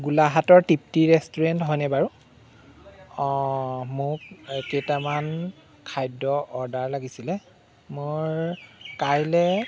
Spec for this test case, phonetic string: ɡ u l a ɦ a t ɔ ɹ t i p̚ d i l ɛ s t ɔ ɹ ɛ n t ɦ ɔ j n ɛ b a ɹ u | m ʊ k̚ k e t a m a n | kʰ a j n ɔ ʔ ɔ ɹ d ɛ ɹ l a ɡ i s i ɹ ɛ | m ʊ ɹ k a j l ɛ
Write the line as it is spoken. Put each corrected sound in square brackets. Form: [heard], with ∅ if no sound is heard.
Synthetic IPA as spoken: ɡ u l a ɦ a t ɔ ɹ t i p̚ [t] i [ɹ] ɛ s t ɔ ɹ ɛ n t ɦ ɔ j n ɛ b a ɹ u | m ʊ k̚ k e t a m a n | kʰ a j [d] ɔ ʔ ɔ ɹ d [a] ɹ l a ɡ i s i [l] ɛ | m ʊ ɹ k a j l ɛ